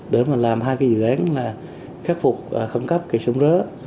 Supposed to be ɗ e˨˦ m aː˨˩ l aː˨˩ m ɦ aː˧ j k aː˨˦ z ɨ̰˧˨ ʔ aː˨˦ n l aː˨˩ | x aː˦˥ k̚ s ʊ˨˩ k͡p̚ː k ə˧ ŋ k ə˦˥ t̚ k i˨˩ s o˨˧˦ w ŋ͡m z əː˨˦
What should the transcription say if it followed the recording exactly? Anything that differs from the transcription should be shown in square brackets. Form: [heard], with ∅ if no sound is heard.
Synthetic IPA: ɗ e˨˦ m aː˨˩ l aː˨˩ m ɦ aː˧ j k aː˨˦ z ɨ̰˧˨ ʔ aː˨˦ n l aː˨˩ | x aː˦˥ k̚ [f] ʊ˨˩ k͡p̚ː [x] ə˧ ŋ k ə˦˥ [p̚] k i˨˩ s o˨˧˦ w ŋ͡m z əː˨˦

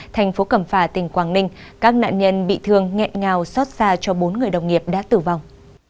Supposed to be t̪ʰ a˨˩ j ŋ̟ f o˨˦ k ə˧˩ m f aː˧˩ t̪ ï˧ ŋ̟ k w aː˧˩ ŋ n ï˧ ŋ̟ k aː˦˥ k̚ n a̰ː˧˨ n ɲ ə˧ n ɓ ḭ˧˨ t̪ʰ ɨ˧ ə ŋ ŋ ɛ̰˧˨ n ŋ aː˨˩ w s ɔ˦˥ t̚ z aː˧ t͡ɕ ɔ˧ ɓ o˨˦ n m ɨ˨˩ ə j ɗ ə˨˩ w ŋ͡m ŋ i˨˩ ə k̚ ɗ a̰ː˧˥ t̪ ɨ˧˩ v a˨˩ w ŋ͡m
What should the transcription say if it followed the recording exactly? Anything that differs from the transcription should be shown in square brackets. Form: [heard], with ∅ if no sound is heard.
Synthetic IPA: t̪ʰ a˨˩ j ŋ̟ f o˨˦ k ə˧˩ m f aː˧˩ t̪ [ï˨˩] ŋ̟ k w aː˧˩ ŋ n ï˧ ŋ̟ k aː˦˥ k̚ n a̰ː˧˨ n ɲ ə˧ n ɓ ḭ˧˨ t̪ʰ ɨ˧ ə ŋ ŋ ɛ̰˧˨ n ŋ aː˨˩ w s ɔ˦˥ t̚ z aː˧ t͡ɕ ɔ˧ ɓ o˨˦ n [ŋ] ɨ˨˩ ə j ɗ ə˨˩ w ŋ͡m ŋ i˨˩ ə [p̚] ɗ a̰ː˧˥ t̪ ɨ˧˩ v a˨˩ w ŋ͡m

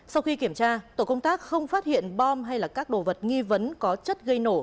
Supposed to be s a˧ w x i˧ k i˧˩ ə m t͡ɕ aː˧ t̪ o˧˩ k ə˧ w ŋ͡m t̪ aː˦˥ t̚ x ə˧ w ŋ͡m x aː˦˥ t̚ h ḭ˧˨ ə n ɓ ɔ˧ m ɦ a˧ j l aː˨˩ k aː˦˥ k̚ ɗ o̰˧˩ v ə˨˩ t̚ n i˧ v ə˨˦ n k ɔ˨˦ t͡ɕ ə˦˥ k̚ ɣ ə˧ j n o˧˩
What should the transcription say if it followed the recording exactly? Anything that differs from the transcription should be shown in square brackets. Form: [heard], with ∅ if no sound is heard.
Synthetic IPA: s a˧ w x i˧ k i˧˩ ə m t͡ɕ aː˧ t̪ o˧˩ k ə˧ w ŋ͡m t̪ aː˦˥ [k̚] x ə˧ w ŋ͡m [f] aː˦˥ t̚ h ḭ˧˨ ə n ɓ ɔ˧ m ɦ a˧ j l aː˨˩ k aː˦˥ k̚ ɗ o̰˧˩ v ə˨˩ t̚ [ŋ] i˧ v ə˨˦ n k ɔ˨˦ t͡ɕ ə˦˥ [t̚] ɣ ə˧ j n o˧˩

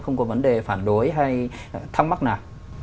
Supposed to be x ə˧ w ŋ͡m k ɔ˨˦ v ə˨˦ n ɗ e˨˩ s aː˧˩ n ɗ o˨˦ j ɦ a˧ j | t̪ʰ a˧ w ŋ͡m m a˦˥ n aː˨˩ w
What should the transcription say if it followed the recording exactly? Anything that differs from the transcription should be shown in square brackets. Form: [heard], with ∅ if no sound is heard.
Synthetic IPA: x ə˧ w ŋ͡m k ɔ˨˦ v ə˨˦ n ɗ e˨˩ [f] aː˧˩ n ɗ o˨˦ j ɦ a˧ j | t̪ʰ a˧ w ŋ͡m m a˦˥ n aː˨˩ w

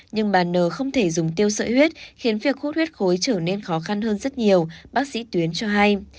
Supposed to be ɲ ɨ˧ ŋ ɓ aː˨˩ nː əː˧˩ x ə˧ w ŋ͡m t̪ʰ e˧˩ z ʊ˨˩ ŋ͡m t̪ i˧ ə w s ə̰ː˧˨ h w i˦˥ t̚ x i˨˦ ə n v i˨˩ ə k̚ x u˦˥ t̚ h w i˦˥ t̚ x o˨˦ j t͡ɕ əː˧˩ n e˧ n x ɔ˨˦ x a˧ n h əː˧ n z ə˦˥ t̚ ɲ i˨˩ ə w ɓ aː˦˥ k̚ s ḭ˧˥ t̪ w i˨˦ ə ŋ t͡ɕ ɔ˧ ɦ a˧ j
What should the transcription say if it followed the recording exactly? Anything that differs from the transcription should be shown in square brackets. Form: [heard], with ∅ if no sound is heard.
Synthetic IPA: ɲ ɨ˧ ŋ ɓ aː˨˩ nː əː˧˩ x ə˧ w ŋ͡m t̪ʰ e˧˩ z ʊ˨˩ ŋ͡m t̪ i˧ ə w s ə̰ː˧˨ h w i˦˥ t̚ x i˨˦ ə n v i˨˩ ə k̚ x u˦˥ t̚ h w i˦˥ t̚ x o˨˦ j t͡ɕ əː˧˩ n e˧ n x ɔ˨˦ x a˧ n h əː˧ n z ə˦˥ t̚ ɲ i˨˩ ə w ɓ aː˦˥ k̚ s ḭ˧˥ t̪ w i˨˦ ə [n] t͡ɕ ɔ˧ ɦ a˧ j

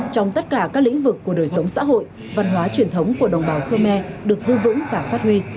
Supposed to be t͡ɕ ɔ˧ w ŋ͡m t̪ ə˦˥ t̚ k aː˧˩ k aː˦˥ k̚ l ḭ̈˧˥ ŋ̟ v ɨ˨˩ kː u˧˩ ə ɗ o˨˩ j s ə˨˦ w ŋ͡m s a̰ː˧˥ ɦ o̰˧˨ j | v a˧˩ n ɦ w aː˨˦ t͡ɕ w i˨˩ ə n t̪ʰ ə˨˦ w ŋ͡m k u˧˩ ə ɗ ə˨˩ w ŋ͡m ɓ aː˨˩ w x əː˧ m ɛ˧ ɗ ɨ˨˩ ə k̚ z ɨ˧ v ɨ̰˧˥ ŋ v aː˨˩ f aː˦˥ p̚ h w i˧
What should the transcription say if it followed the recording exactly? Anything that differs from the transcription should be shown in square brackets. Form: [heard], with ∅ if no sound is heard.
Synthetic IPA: t͡ɕ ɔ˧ w ŋ͡m t̪ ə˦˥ t̚ k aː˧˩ k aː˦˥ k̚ l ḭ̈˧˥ ŋ̟ v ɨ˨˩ kː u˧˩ ə ɗ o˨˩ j s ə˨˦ w ŋ͡m s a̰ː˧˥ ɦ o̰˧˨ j | v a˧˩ n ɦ w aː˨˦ t͡ɕ w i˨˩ ə n t̪ʰ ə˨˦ w ŋ͡m k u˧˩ ə ɗ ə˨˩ w ŋ͡m ɓ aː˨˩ w x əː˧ m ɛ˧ ɗ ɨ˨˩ ə k̚ z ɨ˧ v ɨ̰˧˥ ŋ v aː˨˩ f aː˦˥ [t̚] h w i˧

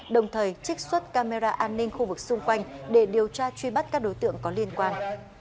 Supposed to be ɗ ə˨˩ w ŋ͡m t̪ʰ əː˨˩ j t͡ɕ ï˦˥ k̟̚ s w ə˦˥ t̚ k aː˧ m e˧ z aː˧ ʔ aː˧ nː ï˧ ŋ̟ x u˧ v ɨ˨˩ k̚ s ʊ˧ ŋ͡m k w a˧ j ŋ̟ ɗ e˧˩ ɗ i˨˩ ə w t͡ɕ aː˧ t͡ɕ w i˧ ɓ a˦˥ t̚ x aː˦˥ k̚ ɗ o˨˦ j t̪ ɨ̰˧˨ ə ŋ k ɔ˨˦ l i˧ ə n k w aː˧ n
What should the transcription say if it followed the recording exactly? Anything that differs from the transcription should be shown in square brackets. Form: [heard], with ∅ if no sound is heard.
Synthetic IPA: ɗ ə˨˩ w ŋ͡m t̪ʰ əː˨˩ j t͡ɕ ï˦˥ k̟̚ s w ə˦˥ t̚ k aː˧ m e˧ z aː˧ ʔ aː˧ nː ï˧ ŋ̟ x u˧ v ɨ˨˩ k̚ s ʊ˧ ŋ͡m k w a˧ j ŋ̟ ɗ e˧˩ ɗ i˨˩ ə w t͡ɕ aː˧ t͡ɕ w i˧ ɓ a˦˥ t̚ [k] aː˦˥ k̚ ɗ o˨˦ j t̪ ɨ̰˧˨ ə ŋ k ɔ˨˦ l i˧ ə n k w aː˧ n

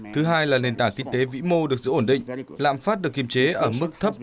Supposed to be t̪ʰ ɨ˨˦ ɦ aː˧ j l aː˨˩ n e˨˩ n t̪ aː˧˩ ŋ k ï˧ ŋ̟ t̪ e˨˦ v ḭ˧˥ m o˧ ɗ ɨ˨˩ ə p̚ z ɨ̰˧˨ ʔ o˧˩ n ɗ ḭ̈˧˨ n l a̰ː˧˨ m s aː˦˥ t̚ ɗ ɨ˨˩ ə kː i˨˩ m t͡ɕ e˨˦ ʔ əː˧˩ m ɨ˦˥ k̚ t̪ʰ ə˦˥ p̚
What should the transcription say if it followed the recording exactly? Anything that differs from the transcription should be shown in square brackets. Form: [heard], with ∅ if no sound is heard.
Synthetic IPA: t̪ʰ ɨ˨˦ ɦ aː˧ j l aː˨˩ n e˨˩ n t̪ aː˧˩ ŋ k ï˧ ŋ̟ t̪ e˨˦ v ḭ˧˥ m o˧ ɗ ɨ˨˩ ə [k̚] z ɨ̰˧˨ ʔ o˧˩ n ɗ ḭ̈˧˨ [ŋ] l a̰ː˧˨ m [f] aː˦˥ t̚ ɗ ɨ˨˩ ə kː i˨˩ m t͡ɕ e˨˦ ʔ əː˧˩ m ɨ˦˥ k̚ t̪ʰ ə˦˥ p̚

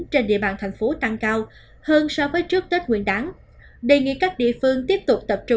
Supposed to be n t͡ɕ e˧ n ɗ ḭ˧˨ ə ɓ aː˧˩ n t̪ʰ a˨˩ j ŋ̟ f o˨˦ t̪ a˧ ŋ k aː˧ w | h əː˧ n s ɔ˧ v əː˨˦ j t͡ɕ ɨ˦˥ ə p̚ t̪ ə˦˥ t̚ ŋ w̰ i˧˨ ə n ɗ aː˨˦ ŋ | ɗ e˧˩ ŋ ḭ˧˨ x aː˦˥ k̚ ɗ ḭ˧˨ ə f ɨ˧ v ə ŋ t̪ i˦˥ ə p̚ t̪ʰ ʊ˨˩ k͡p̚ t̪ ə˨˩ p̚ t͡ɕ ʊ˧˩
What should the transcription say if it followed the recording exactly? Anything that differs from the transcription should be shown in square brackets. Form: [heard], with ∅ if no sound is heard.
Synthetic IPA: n t͡ɕ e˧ n ɗ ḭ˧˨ ə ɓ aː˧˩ n t̪ʰ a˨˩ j ŋ̟ f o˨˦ t̪ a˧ ŋ k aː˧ w | h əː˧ n s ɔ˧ v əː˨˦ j t͡ɕ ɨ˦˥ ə [k̚] t̪ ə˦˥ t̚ ŋ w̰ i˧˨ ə n ɗ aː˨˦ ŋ | ɗ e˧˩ ŋ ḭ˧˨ [k] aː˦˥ k̚ ɗ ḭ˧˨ ə f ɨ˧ [∅] ə ŋ t̪ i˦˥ ə p̚ [t̪] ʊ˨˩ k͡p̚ t̪ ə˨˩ p̚ t͡ɕ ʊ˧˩

